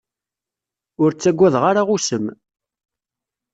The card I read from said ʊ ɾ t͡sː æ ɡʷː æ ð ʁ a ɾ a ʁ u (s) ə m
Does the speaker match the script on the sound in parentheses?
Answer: yes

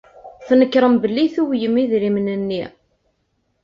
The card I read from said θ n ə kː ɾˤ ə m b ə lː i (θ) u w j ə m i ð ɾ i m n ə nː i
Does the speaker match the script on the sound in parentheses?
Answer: yes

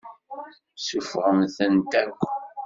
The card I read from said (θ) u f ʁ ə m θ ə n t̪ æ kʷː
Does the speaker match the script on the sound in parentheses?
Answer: no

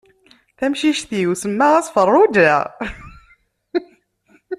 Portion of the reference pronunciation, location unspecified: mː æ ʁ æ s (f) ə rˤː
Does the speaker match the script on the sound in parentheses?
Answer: yes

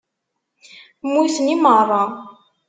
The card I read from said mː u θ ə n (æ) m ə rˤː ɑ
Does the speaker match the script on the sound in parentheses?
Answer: no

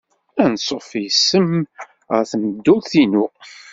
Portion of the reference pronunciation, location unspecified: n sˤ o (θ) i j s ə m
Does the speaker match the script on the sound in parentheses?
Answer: no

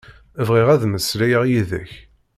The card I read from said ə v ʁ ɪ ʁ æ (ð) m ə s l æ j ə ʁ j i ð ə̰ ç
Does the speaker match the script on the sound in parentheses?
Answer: yes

